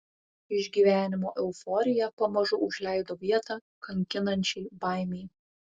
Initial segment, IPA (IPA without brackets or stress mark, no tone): ɪ